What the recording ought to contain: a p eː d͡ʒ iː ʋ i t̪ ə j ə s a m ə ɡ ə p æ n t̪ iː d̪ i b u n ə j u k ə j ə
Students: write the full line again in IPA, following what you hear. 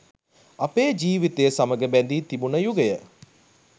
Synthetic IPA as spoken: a p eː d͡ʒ iː ʋ i t̪ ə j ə s a m ə ɡ ə b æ n d̪ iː t̪ i b u n ə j u ɡ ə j ə